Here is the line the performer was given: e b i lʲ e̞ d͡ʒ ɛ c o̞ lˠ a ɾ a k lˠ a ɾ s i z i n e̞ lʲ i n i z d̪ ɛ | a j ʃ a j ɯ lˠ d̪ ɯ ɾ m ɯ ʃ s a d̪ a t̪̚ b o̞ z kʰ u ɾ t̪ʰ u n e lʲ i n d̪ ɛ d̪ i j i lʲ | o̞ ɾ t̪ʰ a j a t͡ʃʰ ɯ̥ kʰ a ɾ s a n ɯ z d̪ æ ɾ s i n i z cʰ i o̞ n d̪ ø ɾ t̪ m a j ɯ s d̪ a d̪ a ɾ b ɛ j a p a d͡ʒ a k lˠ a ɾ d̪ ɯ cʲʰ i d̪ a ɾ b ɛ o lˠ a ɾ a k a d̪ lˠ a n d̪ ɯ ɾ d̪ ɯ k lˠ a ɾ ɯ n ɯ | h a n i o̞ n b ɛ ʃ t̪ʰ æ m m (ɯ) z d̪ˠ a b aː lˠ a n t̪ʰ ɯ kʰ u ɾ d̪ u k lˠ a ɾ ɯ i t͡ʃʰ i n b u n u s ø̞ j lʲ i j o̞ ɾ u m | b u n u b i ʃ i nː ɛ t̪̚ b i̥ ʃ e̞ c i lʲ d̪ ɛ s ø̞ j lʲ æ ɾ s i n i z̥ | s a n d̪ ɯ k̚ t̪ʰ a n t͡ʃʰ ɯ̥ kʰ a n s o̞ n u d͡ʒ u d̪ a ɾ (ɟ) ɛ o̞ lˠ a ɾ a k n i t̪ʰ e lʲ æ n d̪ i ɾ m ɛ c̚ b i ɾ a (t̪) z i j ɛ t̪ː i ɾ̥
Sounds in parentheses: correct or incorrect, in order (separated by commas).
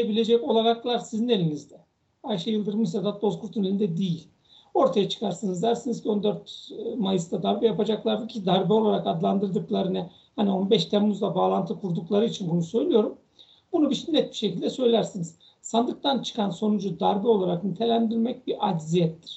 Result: incorrect, incorrect, incorrect